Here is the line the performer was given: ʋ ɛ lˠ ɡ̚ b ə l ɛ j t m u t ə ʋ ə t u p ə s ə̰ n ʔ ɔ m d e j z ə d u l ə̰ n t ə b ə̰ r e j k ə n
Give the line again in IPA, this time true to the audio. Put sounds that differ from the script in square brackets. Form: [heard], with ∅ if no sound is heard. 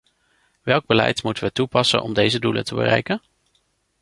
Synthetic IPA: ʋ ɛ lˠ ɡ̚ b ə l ɛ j t m u t ə ʋ ə t u p [ɑ] s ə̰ n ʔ ɔ m d e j z ə d u l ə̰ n t ə b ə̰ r [ɛ] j k ə n